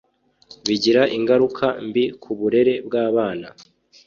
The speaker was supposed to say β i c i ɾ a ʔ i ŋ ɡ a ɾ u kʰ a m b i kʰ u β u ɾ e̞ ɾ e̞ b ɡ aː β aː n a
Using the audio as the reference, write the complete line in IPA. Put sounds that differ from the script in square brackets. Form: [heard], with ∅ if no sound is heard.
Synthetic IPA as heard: β i [ɟ] i ɾ a ʔ i ŋ ɡ a ɾ u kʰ a m b i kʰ u β u ɾ e̞ ɾ e̞ b ɡ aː β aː n a